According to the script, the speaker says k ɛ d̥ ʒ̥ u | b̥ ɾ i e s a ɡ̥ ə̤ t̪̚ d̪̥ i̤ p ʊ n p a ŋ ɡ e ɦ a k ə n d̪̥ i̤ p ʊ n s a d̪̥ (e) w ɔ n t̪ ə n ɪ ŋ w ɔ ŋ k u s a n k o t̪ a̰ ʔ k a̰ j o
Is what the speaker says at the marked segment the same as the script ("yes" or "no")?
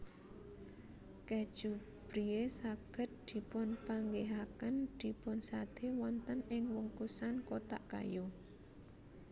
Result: yes